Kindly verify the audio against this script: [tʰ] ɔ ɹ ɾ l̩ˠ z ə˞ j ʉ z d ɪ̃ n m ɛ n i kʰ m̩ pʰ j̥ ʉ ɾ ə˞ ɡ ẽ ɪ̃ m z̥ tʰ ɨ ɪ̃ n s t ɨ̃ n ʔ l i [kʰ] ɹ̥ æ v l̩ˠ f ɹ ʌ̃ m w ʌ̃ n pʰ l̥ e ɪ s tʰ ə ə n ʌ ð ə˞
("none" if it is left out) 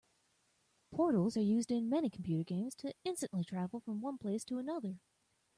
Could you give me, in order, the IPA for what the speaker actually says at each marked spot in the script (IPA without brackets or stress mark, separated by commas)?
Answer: pʰ, tʰ